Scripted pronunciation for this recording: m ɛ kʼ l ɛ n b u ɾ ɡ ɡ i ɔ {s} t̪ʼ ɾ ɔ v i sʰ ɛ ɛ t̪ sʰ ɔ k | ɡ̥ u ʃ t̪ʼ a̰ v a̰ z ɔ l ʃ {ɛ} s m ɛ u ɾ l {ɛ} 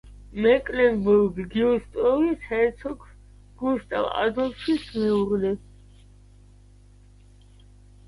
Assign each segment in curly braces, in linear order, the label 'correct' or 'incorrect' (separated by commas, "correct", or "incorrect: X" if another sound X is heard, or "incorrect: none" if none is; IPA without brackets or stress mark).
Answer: correct, incorrect: i, correct